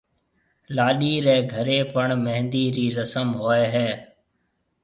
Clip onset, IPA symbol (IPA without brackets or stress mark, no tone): l